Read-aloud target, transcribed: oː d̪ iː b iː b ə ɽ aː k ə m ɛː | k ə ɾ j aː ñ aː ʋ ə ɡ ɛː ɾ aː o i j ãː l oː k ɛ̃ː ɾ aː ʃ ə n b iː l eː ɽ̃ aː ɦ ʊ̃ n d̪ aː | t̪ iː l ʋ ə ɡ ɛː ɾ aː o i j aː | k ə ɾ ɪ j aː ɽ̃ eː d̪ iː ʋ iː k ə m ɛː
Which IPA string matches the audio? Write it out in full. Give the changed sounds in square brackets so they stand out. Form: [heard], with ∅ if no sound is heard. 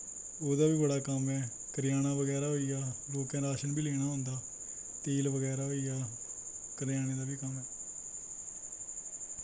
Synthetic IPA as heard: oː d̪ [aː] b iː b ə ɽ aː k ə m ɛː | k ə ɾ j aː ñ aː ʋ ə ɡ ɛː ɾ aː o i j [aː] l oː k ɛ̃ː ɾ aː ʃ ə n b iː l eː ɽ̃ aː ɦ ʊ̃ n d̪ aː | t̪ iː l ʋ ə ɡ ɛː ɾ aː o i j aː | k ə ɾ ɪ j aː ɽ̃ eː d̪ [aː] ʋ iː k ə m ɛː